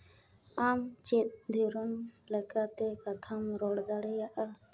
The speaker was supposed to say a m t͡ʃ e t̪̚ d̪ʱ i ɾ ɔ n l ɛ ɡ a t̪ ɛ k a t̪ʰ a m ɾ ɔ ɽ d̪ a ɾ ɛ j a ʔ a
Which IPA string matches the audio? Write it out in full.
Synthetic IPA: a m t͡ʃ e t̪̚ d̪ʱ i ɾ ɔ n l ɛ k a t̪ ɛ k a t̪ʰ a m ɾ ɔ ɽ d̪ a ɽ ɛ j a ʔ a